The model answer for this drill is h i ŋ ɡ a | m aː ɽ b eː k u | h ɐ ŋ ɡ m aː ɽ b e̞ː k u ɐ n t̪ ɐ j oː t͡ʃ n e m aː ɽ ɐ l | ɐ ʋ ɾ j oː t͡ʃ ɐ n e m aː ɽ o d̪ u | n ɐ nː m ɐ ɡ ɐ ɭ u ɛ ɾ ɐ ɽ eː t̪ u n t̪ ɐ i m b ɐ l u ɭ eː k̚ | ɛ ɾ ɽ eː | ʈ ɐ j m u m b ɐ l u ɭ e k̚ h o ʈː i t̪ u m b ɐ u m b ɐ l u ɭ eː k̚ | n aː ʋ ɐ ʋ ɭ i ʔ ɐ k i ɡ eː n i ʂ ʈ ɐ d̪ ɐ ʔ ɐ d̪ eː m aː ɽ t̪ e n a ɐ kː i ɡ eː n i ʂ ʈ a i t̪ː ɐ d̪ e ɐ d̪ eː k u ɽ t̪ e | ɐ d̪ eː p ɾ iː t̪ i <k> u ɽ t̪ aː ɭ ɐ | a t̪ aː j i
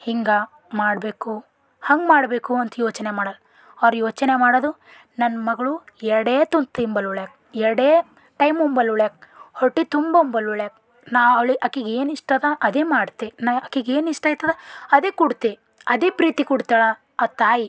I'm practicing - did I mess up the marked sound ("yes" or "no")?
no